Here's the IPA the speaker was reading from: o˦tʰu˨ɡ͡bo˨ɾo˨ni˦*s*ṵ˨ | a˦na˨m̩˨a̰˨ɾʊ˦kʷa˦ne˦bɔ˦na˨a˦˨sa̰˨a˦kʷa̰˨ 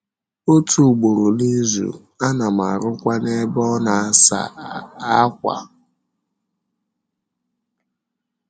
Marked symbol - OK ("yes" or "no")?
no